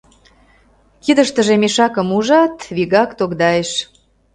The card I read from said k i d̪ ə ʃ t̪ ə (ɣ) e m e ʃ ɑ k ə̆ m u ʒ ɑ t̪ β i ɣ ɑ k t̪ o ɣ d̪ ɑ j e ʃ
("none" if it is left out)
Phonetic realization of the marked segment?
ʒ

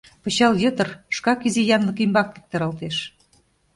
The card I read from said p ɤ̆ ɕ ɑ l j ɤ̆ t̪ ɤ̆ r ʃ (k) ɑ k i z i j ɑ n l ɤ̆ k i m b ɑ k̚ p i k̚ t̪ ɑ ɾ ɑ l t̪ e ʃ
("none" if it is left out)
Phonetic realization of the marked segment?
k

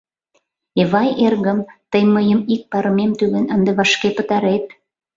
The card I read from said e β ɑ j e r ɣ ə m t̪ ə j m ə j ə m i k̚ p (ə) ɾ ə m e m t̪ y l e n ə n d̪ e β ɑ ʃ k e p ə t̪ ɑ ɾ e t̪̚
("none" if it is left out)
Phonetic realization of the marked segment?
ɑ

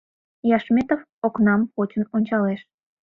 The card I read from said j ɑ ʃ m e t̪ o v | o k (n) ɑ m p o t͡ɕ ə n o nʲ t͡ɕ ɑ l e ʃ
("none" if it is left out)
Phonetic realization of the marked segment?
n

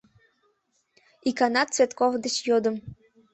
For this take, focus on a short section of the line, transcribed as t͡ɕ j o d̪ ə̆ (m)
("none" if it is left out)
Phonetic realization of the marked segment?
m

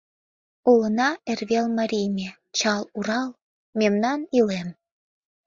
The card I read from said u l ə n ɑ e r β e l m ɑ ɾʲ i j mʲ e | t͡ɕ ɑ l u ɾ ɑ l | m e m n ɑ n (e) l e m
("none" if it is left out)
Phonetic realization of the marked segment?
i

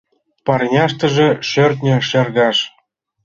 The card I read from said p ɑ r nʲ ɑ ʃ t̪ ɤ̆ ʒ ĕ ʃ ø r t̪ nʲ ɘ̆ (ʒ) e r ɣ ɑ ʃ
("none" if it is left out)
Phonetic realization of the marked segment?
ʃ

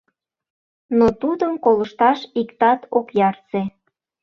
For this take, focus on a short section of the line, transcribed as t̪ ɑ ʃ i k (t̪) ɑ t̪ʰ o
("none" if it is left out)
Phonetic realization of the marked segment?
t̪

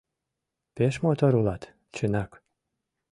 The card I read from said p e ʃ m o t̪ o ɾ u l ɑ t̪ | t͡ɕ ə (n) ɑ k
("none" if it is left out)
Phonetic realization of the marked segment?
n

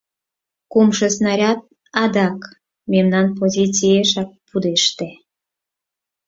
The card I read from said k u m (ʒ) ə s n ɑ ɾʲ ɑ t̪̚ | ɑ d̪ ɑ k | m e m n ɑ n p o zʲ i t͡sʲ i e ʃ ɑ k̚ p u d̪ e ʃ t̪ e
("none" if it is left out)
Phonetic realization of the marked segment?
ʃ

